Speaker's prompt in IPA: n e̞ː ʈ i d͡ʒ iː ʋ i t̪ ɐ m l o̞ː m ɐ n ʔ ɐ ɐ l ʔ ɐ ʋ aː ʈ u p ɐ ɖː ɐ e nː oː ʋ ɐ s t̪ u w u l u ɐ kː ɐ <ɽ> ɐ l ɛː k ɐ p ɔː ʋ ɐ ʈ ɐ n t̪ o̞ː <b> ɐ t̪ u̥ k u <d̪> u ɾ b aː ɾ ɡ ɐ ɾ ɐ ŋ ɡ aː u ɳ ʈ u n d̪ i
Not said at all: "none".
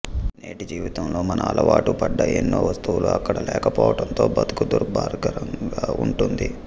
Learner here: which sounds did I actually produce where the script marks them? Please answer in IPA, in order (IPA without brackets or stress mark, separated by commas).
ɽ, b, d̪